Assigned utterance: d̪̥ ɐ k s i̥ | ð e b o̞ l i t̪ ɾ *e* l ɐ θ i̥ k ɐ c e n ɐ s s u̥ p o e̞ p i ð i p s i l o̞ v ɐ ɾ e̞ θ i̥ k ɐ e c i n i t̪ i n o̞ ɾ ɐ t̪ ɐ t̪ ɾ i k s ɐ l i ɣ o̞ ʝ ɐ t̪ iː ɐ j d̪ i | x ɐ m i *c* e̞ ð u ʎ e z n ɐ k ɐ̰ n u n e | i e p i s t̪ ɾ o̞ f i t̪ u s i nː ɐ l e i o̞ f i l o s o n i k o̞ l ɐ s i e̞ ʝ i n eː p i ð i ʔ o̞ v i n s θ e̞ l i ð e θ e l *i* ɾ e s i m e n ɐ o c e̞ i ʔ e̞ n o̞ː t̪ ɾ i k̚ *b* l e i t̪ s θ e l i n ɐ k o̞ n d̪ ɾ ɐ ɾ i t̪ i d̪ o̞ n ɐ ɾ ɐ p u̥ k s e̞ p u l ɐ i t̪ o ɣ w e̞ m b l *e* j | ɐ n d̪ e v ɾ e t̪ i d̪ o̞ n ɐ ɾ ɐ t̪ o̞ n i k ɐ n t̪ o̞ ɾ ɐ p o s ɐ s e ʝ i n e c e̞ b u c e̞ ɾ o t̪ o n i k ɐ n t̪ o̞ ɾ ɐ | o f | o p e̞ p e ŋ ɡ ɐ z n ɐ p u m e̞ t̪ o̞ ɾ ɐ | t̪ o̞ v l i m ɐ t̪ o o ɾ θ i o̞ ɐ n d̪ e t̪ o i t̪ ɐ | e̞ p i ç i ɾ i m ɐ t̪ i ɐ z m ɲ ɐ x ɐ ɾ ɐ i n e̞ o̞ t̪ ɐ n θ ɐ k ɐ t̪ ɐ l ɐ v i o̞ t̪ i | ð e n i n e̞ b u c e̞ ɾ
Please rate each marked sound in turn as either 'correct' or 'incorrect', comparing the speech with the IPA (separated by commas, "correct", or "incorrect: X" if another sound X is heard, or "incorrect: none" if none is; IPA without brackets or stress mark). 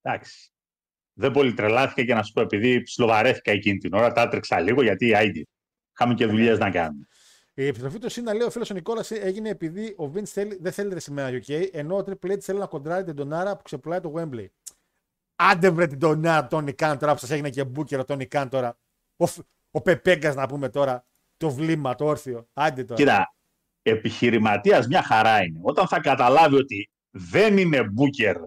correct, correct, correct, incorrect: p, correct